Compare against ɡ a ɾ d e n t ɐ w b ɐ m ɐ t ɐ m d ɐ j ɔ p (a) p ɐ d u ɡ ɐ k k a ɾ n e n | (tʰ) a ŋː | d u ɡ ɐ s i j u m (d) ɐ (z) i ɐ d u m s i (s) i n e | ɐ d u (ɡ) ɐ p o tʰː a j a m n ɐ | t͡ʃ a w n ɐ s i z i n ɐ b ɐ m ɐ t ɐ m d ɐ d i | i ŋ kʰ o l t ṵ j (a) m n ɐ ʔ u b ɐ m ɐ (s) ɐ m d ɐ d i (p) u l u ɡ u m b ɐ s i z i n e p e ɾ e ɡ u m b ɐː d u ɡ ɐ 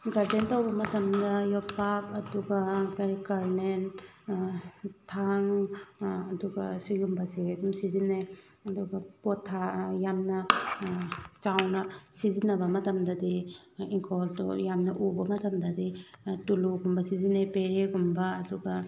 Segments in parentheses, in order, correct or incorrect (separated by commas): correct, correct, incorrect, incorrect, incorrect, correct, correct, incorrect, incorrect